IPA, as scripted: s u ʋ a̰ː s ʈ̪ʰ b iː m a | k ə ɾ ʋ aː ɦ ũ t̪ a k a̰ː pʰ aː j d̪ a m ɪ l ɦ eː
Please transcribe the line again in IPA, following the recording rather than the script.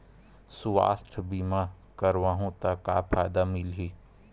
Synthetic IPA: s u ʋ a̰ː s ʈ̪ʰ b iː m a | k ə ɾ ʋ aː ɦ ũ t̪ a k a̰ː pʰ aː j d̪ a m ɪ l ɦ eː

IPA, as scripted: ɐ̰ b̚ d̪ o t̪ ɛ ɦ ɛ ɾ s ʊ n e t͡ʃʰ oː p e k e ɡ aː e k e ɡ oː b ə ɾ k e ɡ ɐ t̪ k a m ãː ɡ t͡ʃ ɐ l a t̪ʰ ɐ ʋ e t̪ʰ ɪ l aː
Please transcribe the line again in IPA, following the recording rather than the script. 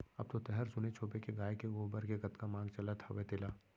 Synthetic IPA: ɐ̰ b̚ t̪ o t̪ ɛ ɦ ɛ ɾ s ʊ n e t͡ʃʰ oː p e k e ɡ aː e k e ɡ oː b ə ɾ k e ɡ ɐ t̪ k a m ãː ɡ t͡ʃ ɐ l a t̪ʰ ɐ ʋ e t̪ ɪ l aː

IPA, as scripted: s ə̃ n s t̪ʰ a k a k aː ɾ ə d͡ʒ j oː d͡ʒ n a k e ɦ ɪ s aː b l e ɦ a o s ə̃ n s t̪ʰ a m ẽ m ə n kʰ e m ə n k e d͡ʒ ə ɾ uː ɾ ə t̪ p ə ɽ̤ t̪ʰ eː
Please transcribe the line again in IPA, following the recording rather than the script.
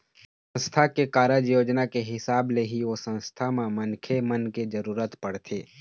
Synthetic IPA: s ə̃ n s t̪ʰ a k e k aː ɾ ə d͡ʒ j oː d͡ʒ n a k e ɦ ɪ s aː b l e ɦ i o s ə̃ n s t̪ʰ a m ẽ m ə n kʰ e m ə n k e d͡ʒ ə ɾ uː ɾ ə t̪ p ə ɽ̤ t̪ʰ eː

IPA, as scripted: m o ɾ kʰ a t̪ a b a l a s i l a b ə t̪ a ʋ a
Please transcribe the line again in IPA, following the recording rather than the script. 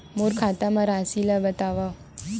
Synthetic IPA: m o ɾ kʰ a t̪ a m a ɾ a s i l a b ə t̪ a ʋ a

